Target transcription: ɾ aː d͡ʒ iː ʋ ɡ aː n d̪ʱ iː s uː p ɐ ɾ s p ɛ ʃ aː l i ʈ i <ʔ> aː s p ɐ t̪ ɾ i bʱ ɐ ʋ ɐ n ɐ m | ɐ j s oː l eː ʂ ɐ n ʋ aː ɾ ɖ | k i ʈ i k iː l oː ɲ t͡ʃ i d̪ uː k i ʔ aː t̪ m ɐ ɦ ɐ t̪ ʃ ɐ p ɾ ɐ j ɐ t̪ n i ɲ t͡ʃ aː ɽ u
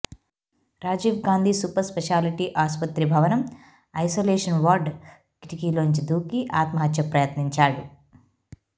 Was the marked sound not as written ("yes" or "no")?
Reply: no